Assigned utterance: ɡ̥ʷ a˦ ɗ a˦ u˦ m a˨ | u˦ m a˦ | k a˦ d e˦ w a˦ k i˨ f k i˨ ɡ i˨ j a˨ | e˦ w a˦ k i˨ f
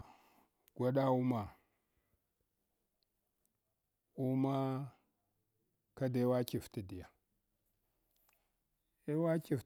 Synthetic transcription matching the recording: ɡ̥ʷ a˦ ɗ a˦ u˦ m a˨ | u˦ m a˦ | k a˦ d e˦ w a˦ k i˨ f t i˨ d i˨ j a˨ | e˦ w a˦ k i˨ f